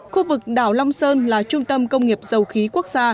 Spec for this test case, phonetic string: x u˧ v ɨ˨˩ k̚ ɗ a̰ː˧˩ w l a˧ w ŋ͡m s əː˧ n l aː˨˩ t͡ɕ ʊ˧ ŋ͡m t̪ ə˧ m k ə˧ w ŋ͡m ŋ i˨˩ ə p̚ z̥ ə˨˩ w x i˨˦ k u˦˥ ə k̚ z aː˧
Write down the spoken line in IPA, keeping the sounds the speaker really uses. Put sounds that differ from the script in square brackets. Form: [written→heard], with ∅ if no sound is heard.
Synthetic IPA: x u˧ v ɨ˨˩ k̚ ɗ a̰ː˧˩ w l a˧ w ŋ͡m s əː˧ n l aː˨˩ t͡ɕ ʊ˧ ŋ͡m t̪ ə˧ m k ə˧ w ŋ͡m ŋ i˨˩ ə p̚ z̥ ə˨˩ w x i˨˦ k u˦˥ ə k̚ z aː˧